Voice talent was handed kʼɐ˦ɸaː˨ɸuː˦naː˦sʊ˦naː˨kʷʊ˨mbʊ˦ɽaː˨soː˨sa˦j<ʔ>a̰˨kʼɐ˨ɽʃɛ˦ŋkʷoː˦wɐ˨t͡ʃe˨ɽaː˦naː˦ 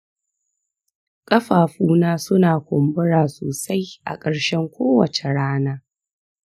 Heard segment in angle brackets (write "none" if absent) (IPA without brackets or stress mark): ʔ